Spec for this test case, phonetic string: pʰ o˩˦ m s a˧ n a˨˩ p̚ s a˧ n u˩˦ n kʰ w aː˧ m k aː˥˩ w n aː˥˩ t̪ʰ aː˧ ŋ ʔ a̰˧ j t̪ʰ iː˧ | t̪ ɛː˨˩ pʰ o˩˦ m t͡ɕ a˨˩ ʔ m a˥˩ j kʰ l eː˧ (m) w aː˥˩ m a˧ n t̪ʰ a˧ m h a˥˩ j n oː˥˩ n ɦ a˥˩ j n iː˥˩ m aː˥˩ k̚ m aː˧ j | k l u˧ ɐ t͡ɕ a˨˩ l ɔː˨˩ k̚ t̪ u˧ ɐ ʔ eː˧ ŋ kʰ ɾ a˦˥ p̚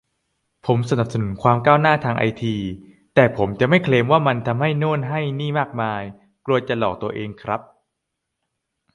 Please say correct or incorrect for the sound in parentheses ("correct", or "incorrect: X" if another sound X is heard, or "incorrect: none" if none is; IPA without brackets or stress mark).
correct